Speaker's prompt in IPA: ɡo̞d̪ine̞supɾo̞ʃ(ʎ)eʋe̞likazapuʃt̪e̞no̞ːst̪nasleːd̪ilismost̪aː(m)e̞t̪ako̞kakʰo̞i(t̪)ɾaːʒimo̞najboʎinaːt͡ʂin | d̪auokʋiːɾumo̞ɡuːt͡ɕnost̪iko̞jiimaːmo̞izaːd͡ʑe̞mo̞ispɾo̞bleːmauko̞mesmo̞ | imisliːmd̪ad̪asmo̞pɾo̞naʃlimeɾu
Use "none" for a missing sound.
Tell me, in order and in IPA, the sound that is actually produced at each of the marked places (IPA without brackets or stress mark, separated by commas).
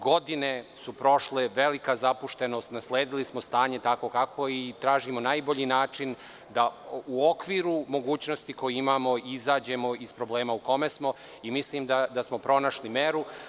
l, ɲ, t̪